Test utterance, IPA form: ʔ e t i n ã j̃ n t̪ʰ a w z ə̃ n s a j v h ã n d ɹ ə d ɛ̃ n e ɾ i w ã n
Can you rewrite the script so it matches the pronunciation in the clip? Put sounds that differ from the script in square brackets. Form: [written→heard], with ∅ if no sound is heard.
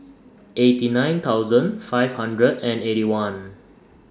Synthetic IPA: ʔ e t i n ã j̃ n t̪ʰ a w z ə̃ n [s→f] a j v h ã n d ɹ ə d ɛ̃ n e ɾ i w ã n